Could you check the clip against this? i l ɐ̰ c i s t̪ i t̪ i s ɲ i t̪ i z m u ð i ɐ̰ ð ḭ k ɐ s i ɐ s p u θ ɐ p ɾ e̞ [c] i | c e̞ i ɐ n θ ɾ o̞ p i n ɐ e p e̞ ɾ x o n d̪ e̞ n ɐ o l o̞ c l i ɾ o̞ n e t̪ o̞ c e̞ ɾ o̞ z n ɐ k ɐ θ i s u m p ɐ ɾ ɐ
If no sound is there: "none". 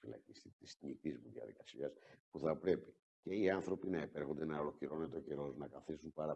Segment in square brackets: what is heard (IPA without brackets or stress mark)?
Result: p